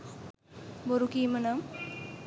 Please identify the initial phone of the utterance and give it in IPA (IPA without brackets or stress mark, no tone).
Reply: b